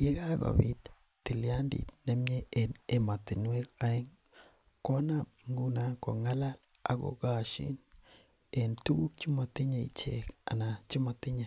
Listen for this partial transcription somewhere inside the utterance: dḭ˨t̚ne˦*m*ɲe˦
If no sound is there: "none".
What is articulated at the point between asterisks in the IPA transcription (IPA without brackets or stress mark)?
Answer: m